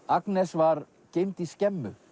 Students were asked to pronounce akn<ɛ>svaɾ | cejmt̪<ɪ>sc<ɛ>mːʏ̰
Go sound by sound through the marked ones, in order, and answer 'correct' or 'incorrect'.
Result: correct, incorrect, correct

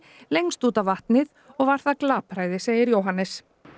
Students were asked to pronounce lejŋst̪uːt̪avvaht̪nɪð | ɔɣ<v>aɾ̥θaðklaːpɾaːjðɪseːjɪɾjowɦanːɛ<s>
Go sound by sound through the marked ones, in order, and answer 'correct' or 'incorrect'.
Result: correct, correct

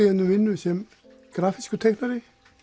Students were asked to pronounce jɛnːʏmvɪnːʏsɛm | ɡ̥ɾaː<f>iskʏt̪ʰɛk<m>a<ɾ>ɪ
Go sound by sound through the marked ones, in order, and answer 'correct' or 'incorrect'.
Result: correct, incorrect, correct

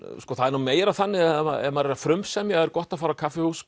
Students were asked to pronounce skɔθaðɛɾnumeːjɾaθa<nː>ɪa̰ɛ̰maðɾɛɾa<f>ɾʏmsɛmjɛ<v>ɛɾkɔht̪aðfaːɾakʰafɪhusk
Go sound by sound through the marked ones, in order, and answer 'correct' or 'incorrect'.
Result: correct, correct, incorrect

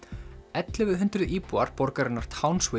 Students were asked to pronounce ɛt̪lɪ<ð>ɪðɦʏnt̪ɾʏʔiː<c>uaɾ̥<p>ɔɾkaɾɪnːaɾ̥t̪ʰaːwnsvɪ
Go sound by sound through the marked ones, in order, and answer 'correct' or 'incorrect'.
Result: incorrect, incorrect, correct

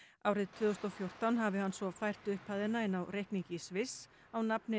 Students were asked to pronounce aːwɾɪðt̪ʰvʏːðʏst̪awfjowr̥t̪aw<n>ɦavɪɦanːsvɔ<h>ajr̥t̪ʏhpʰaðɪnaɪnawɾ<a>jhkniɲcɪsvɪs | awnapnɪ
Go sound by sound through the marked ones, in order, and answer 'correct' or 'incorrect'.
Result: correct, incorrect, incorrect

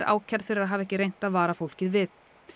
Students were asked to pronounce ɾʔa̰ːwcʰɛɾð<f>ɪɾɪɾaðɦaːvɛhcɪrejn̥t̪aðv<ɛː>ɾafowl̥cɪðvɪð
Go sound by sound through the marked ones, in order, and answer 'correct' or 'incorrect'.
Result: correct, incorrect

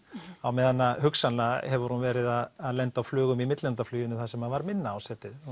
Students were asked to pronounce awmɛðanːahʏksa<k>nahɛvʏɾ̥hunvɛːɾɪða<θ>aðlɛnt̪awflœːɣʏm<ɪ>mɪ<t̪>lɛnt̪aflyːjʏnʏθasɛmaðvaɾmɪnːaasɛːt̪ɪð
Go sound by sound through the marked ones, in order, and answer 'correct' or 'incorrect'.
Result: incorrect, incorrect, incorrect, correct

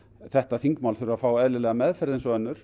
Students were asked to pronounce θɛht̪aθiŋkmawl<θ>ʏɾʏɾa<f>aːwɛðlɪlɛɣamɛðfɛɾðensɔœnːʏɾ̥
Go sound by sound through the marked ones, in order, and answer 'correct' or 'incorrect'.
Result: correct, correct

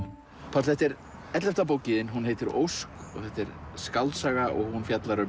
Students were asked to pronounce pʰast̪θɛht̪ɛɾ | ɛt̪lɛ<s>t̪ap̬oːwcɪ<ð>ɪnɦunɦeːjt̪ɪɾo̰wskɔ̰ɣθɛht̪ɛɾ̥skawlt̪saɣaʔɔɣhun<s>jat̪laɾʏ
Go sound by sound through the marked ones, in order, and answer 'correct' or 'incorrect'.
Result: incorrect, correct, incorrect

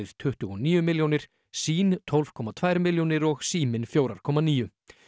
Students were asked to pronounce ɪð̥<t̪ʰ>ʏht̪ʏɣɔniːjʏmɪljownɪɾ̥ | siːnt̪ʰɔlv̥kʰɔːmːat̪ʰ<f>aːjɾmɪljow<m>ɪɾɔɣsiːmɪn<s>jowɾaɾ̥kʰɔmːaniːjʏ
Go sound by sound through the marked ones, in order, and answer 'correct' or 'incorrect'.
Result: correct, incorrect, incorrect, incorrect

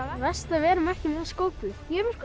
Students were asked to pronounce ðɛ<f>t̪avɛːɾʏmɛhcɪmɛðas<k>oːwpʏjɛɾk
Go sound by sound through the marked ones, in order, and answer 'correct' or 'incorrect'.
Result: incorrect, correct

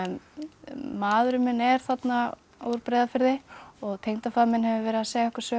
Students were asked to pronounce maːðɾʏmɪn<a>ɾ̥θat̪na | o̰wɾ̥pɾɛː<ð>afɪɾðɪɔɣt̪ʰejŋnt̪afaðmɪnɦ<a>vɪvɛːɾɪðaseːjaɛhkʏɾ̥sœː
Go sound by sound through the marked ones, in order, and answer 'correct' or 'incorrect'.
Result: incorrect, correct, incorrect

